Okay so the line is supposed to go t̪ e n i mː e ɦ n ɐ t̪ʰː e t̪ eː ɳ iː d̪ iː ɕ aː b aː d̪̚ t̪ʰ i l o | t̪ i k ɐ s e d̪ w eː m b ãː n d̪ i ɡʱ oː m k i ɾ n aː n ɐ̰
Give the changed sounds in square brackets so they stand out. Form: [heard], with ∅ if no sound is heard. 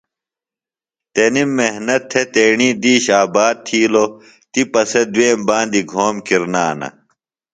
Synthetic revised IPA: t̪ e n i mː e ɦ n ɐ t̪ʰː e t̪ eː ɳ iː d̪ iː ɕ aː b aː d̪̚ t̪ʰ [iː] l o | t̪ i [p] ɐ s e d̪ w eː m b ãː n d̪ i ɡʱ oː m k i ɾ n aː n ɐ̰